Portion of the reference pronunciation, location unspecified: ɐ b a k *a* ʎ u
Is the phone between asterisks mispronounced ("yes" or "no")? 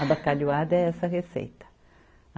no